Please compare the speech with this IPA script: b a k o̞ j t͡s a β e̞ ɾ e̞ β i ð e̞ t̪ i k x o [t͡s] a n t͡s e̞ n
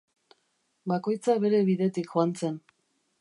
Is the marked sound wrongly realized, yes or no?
yes